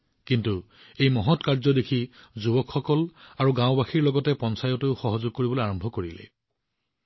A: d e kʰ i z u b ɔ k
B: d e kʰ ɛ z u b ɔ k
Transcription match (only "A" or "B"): A